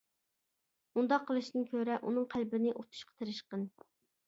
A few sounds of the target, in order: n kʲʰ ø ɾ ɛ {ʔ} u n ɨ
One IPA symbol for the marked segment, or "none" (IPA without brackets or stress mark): ʔ